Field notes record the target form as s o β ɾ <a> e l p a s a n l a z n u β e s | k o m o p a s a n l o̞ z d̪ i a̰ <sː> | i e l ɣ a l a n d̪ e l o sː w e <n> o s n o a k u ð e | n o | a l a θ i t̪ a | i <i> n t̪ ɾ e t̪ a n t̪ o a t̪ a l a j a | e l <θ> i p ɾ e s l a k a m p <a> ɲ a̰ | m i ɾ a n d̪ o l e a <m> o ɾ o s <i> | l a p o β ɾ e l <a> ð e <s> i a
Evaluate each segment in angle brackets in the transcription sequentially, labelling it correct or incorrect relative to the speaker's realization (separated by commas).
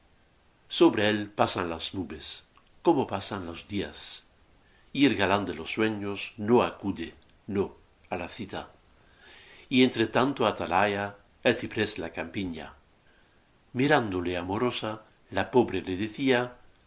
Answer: incorrect, incorrect, incorrect, incorrect, correct, incorrect, correct, incorrect, incorrect, incorrect